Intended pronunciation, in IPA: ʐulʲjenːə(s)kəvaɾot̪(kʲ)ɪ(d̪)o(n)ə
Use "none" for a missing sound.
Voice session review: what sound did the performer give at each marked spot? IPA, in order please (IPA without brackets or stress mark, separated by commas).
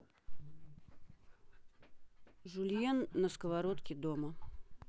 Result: s, kʲ, d̪, m